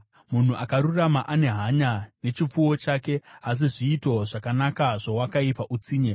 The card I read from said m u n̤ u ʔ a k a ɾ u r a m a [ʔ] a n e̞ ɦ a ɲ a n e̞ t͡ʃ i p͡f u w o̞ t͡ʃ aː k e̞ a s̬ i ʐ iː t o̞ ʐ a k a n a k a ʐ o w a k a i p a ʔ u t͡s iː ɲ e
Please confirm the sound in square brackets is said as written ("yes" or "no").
yes